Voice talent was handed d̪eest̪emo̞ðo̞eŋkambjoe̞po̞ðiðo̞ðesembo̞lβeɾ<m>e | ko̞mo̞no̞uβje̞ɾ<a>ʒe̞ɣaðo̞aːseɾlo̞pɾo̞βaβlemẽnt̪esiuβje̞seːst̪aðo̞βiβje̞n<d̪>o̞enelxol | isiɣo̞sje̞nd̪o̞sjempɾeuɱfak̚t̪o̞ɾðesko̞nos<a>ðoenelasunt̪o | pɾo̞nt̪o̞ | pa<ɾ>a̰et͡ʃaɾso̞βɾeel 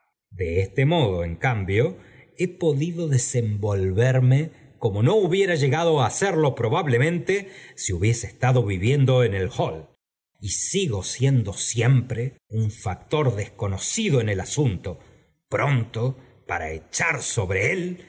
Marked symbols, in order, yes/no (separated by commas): yes, yes, yes, no, yes